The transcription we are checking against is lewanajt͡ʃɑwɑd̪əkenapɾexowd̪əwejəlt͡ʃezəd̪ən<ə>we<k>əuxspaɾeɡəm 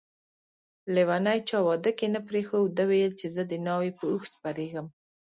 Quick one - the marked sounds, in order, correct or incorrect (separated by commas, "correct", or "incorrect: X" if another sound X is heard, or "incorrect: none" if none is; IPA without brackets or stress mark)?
incorrect: ɑ, incorrect: p